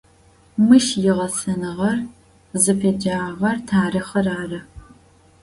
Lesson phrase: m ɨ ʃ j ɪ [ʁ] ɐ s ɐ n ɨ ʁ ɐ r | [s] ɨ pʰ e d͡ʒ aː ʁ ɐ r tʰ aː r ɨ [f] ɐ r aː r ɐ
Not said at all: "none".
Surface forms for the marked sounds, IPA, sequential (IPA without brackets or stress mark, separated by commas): ʁ, z, χ